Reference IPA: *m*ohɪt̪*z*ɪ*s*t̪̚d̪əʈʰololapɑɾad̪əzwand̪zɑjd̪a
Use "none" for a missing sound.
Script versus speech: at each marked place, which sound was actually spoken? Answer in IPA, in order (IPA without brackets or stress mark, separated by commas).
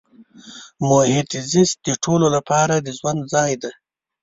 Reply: m, z, s